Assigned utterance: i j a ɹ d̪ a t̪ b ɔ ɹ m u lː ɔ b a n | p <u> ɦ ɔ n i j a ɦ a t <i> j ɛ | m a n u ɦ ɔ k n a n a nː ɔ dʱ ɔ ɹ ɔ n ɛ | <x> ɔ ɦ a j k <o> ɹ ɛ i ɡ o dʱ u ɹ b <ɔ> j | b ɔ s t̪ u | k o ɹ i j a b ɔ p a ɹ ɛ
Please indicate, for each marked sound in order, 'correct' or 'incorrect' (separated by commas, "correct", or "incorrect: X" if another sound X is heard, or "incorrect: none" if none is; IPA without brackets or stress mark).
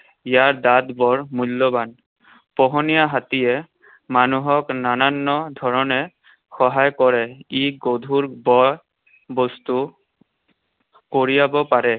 incorrect: ɔ, correct, correct, incorrect: ɔ, correct